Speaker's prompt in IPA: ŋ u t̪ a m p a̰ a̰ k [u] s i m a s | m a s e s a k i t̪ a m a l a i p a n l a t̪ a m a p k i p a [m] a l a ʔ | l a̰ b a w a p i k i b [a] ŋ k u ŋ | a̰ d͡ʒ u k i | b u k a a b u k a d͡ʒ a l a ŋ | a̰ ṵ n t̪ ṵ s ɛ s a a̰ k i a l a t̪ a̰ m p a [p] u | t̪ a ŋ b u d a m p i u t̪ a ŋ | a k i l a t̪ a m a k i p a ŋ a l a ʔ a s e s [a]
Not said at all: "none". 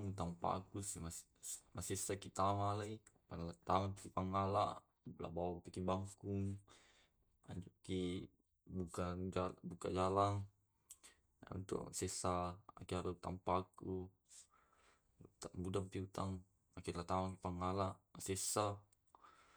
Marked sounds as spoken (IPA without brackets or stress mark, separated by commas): u, ŋ, a, k, a